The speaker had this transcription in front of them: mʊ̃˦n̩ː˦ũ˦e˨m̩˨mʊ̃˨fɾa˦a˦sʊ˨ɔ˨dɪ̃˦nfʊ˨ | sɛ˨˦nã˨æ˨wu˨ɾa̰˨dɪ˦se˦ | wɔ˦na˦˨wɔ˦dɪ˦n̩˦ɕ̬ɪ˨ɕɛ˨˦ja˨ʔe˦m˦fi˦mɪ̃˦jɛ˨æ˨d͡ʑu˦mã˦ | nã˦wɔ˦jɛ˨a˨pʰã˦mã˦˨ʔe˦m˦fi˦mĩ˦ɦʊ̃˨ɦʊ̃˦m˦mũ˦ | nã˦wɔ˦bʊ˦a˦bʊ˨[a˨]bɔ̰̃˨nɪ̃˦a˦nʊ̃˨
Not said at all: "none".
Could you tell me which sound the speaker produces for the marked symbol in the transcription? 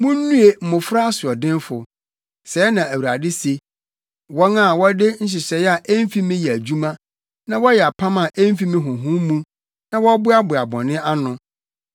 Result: a˨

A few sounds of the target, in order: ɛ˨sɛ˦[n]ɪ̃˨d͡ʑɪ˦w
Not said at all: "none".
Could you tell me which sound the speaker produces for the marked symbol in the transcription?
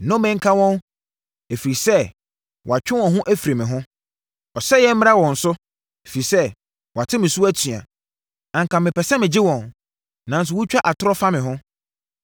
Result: m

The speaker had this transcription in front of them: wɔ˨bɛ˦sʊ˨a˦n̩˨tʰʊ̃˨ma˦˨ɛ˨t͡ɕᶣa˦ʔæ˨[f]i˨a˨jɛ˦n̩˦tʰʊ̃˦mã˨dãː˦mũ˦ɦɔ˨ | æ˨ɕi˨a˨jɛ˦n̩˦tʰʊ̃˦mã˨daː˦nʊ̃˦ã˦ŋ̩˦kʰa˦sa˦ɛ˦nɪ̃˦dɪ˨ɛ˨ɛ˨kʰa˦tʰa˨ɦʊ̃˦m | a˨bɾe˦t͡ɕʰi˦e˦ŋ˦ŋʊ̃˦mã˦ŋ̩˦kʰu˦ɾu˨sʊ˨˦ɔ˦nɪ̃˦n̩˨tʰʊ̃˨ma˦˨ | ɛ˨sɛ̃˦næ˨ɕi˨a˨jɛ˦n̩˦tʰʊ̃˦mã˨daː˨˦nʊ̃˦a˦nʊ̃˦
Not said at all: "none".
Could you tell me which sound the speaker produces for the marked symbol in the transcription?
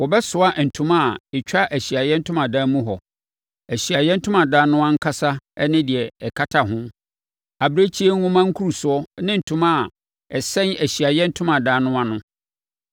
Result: ɕ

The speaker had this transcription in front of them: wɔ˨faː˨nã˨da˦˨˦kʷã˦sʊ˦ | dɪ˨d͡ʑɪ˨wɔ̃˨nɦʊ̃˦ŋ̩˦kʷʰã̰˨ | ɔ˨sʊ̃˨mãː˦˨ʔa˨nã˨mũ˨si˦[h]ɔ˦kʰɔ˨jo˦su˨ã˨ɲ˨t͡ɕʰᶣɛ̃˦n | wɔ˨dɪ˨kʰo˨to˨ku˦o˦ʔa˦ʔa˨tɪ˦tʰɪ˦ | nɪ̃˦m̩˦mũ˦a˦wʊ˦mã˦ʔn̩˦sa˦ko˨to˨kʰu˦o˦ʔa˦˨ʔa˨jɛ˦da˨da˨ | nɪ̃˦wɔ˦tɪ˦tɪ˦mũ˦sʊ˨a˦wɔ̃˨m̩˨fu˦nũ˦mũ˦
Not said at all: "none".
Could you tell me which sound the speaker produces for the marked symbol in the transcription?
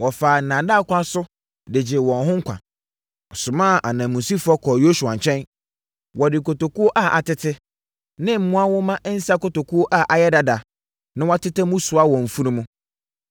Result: f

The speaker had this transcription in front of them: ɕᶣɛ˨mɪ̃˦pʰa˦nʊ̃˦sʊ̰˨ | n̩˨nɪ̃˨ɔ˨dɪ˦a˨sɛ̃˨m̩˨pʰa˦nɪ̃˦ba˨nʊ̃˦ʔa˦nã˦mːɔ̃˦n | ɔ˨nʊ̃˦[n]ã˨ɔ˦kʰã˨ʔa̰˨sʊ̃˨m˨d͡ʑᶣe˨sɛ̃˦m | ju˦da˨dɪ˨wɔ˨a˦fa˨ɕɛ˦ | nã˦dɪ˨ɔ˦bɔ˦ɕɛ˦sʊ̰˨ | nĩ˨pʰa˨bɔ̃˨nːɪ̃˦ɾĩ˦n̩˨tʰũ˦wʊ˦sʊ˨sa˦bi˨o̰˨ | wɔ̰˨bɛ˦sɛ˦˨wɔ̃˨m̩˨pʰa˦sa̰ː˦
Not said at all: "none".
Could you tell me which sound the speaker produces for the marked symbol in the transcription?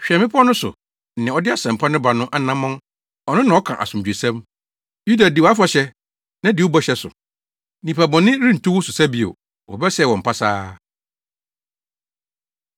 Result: n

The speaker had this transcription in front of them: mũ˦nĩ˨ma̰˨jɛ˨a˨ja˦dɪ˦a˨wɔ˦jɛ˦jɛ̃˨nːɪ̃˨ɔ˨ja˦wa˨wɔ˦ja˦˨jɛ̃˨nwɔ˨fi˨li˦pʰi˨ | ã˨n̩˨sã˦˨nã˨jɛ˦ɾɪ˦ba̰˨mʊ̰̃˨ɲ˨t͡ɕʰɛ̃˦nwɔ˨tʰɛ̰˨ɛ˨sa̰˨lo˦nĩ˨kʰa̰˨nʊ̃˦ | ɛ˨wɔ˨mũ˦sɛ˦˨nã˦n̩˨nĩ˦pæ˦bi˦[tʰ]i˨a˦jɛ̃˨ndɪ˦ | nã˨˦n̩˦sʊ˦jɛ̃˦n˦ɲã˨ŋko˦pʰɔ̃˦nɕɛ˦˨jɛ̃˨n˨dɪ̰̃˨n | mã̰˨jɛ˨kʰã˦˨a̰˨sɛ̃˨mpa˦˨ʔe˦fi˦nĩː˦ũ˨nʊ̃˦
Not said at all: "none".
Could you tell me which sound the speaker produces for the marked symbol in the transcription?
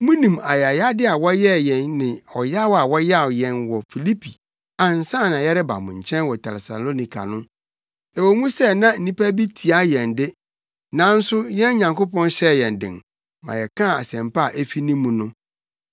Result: tʰ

